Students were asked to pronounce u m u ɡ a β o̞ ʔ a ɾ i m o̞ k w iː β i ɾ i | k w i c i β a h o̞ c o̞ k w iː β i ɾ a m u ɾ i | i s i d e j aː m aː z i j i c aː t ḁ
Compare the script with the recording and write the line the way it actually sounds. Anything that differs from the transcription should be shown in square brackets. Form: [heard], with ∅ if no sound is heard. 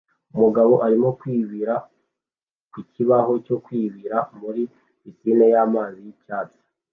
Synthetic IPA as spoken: u m u ɡ a β o̞ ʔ a ɾ i m o̞ k w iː β i ɾ [a] | k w i c i β a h o̞ c o̞ k w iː β i ɾ a m u ɾ i | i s i [n] e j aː m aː z i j i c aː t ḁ